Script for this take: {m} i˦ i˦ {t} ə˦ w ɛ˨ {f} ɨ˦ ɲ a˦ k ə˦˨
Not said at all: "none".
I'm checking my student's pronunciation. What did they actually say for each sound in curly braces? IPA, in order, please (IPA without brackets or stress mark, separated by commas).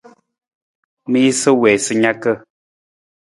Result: m, s, s